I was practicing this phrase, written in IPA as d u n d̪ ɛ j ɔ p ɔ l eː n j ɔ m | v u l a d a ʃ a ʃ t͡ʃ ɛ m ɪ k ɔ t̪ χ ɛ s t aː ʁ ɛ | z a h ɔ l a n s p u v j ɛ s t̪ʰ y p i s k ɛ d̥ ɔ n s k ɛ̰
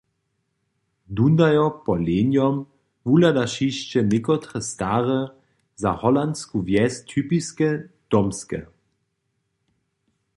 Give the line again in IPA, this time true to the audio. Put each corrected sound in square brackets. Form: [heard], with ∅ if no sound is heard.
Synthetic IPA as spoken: d u n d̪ [a] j ɔ p ɔ l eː n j ɔ m | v u l a d a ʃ [i] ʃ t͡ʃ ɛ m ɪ k ɔ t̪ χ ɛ s t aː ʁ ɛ | z a h ɔ l a n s [k] u v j ɛ s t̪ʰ y p i s k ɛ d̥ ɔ [m] s k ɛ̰